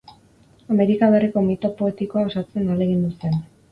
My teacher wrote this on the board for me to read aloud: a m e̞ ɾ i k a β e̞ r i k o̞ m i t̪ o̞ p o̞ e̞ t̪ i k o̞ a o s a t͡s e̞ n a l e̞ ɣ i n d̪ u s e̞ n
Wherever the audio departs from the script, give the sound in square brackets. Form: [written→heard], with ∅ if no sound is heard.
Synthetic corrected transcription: a m e̞ ɾ i k a β e̞ r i k o̞ m i t̪ o̞ p o̞ e̞ t̪ i k o̞ a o s a t͡s e̞ n a l e̞ ɣ i n d̪ u s e̞ n